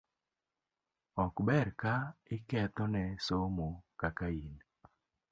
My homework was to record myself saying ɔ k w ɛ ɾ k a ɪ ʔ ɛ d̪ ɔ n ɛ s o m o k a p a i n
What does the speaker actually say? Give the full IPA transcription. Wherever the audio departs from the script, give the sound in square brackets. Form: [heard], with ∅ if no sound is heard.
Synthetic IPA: ɔ k [b] ɛ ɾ k a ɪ [k] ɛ [t̪] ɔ n ɛ s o m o k a [k] a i n